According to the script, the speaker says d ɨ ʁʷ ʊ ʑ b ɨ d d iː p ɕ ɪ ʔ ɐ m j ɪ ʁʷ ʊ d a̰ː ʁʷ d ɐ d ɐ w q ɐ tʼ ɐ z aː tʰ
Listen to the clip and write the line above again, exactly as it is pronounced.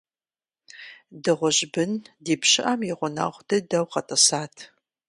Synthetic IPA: d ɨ ʁʷ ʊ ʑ b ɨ n d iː p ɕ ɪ ʔ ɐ m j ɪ ʁʷ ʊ n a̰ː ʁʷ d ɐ d ɐ w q ɐ tʼ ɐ s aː tʰ

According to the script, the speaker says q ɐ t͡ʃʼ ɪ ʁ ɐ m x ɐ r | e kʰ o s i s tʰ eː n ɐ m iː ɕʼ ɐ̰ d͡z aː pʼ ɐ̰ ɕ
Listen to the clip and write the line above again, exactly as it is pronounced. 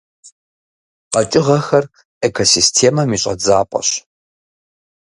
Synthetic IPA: q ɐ t͡ʃʼ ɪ ʁ ɐ x ɐ r | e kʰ o s i s tʰ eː m ɐ m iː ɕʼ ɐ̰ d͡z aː pʼ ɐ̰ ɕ

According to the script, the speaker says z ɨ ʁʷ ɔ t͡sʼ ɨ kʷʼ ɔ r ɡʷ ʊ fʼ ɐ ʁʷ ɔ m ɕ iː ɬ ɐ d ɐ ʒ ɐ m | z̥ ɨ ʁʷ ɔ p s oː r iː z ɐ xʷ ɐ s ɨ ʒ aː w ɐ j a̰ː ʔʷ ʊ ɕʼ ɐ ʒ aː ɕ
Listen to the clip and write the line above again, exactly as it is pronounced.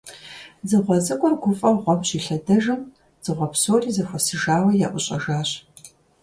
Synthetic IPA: z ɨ ʁʷ ɔ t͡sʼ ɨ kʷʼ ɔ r ɡʷ ʊ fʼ ɐ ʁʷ ɔ m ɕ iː ɬ ɐ d ɐ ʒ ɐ m | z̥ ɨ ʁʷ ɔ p s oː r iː z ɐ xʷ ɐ s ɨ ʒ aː w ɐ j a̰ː ʔʷ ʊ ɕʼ ɐ ʒ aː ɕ

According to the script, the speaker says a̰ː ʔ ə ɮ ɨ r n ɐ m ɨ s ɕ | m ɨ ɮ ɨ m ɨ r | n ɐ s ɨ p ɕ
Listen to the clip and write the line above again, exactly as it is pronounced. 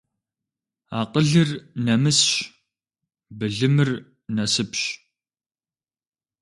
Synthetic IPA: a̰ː q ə ɮ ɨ r n ɐ m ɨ s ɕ | b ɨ ɮ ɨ m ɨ r | n ɐ s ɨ p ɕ

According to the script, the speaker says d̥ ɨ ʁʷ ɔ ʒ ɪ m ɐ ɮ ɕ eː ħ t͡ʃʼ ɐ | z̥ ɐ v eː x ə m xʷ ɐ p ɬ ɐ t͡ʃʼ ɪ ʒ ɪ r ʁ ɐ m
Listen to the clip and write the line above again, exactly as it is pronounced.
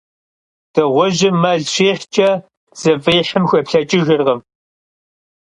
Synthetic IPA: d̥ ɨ ʁʷ ɔ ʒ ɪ m ɐ ɮ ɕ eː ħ t͡ʃʼ ɐ | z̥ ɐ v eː ħ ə m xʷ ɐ p ɬ ɐ t͡ʃʼ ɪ ʒ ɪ r ʁ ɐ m

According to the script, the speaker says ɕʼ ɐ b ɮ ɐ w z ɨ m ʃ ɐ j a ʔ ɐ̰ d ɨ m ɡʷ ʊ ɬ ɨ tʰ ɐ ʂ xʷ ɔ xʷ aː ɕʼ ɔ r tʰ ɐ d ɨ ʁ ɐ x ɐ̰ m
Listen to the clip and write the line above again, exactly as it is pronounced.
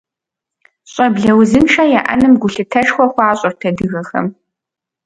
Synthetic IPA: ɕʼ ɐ b ɮ ɐ w z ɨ m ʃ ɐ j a ʔ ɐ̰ n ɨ m ɡʷ ʊ ɬ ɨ tʰ ɐ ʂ xʷ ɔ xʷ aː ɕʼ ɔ r tʰ ɐ d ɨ ɣ ɐ x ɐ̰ m

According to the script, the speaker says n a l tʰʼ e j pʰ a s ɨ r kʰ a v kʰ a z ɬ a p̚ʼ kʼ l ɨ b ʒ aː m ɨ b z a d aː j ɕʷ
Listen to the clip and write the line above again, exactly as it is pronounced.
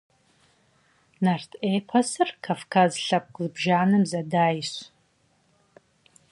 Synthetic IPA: n a r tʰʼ e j pʰ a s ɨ r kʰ a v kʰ a z ɬ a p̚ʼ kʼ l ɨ b ʒ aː n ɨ m z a d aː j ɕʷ

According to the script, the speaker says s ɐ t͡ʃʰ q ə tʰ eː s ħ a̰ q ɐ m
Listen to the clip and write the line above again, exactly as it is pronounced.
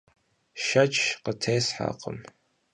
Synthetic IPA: ʃ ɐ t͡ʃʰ q ə tʰ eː s ħ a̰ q ə m

